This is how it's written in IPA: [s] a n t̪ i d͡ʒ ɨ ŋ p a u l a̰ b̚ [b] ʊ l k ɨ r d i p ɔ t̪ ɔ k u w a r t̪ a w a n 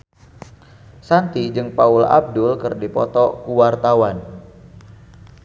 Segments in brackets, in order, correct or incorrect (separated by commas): correct, incorrect